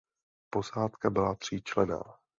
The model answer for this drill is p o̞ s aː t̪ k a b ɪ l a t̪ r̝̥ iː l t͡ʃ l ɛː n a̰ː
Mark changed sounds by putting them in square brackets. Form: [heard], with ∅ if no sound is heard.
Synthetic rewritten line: p o̞ s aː t̪ k a b ɪ l a t̪ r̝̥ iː [∅] t͡ʃ l [ɛ] n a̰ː